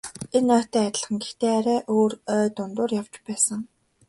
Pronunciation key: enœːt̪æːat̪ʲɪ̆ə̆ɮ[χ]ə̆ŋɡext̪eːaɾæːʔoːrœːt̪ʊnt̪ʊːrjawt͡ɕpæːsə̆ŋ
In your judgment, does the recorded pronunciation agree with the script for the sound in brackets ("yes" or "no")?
yes